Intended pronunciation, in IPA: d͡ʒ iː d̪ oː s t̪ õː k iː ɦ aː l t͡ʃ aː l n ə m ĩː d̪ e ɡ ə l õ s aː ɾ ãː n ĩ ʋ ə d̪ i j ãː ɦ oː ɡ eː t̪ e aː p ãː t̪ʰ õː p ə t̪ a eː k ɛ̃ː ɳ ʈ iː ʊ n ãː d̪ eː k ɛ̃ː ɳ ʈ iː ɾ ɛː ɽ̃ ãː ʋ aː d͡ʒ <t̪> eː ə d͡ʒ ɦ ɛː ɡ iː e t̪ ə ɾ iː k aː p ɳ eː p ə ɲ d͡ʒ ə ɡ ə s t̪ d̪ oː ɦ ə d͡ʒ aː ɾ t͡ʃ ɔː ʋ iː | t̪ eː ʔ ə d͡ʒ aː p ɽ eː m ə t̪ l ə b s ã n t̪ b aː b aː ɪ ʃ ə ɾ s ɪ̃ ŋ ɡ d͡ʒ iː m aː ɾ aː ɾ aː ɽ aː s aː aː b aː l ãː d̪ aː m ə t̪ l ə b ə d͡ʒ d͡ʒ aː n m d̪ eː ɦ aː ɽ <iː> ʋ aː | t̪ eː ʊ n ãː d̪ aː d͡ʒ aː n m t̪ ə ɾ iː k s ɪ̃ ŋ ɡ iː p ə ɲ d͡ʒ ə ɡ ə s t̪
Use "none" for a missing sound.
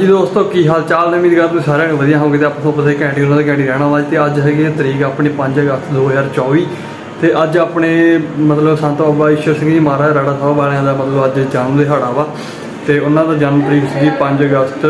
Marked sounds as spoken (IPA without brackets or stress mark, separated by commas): t̪, aː